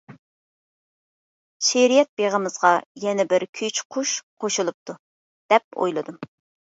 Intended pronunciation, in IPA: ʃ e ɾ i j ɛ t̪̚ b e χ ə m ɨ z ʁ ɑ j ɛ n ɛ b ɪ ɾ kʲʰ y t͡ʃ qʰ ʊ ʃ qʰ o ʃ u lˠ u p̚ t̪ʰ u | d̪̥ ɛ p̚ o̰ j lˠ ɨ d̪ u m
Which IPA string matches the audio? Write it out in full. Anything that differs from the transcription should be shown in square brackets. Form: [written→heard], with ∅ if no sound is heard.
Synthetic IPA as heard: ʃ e ɾ i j ɛ t̪̚ b e [χ→ʁ] ə m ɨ z ʁ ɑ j ɛ n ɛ b ɪ ɾ kʲʰ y t͡ʃ qʰ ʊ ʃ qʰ o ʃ u lˠ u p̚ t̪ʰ u | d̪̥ ɛ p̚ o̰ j lˠ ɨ d̪ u m